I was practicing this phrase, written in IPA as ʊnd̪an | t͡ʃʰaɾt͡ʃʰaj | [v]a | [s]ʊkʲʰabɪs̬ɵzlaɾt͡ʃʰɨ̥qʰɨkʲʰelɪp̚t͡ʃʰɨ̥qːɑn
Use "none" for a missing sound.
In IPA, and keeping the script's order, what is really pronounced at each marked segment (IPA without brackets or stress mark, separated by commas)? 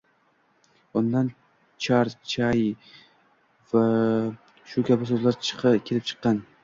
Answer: v, ʃ